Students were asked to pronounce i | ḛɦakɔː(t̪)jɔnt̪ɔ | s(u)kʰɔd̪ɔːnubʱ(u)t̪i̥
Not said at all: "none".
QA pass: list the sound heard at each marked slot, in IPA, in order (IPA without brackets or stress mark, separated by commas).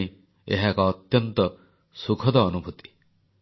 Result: t̪, u, u